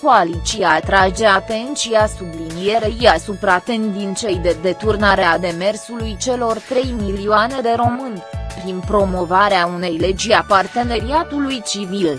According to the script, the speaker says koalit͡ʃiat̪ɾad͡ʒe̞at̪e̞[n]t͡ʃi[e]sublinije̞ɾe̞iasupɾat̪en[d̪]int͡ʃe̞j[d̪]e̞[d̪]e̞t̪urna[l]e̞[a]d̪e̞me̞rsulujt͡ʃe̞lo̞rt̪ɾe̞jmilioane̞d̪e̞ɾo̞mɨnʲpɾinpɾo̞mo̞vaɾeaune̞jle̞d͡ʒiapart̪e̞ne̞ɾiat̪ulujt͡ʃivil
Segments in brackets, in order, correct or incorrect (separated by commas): correct, incorrect, correct, correct, correct, incorrect, correct